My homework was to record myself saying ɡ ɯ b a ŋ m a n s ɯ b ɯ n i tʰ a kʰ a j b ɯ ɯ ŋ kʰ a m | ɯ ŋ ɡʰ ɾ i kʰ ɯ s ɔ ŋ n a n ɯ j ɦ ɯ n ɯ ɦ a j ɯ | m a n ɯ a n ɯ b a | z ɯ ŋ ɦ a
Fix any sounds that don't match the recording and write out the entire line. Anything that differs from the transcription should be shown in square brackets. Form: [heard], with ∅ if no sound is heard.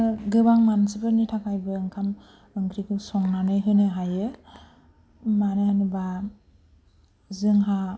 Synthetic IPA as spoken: ɡ ɯ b a ŋ m a n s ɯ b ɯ n i tʰ a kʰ a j b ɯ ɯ ŋ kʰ a m | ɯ ŋ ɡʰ ɾ i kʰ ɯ s ɔ ŋ n a n ɯ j ɦ ɯ n ɯ ɦ a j ɯ | m a n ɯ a n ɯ b a | z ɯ ŋ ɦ a